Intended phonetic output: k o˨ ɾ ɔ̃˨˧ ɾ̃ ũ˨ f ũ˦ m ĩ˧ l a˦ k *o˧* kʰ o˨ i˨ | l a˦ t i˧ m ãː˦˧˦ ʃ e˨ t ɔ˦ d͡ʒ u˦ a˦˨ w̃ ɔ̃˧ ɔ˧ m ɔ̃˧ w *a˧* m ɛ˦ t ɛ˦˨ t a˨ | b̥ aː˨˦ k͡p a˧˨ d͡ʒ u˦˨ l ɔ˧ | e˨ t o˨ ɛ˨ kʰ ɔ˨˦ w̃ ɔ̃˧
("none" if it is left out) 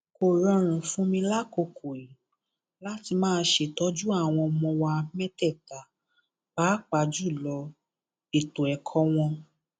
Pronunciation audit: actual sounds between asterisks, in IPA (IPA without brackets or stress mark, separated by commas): o˧, a˧